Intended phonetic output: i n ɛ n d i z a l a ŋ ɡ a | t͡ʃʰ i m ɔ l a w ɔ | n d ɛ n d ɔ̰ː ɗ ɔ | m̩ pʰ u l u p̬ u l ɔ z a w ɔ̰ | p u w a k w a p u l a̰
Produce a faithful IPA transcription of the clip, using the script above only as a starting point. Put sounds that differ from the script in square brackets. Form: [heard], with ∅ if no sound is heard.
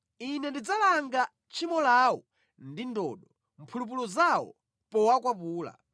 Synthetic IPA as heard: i n ɛ n d i [d͡z] a l a ŋ ɡ a | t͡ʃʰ i m ɔ l a w ɔ | n d [i] n d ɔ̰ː ɗ ɔ | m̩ pʰ u l u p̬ u l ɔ z a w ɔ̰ | p [ɔ] w a k w a p [uː] l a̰